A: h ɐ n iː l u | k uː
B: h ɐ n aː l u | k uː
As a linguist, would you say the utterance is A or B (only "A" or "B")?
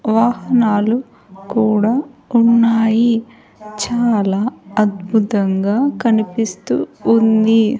B